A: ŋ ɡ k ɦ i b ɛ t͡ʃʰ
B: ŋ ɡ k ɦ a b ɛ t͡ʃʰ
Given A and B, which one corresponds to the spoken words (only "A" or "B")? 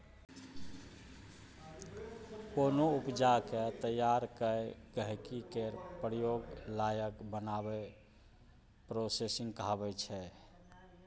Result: B